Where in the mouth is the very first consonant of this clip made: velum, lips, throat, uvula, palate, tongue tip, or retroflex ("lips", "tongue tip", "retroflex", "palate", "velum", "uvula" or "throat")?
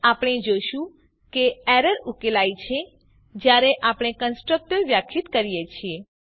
lips